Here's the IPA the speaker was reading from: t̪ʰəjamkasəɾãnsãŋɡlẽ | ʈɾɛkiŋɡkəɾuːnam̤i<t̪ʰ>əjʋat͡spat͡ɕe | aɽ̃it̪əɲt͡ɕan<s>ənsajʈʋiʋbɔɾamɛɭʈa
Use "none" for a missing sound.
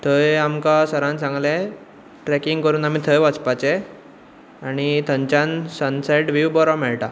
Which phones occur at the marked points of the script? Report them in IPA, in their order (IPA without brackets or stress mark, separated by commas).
t̪ʰ, s